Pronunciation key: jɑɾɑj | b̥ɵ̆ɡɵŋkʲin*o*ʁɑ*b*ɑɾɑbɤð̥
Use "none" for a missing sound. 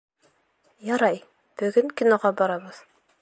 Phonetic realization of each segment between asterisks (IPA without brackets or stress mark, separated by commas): o, b